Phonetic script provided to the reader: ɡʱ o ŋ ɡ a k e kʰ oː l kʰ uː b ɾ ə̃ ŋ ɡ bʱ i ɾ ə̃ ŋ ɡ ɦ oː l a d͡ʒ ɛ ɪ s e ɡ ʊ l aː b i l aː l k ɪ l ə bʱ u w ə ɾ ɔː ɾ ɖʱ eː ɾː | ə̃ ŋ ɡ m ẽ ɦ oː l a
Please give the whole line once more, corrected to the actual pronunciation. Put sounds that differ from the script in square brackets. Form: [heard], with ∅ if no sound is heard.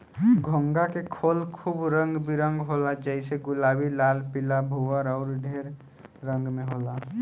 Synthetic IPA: ɡʱ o ŋ ɡ a k e kʰ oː l kʰ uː b ɾ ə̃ ŋ ɡ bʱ i ɾ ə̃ ŋ ɡ ɦ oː l a d͡ʒ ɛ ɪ s e ɡ ʊ l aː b i l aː l [p] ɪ l [a] bʱ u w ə ɾ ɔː ɾ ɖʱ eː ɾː | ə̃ ŋ ɡ m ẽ ɦ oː l a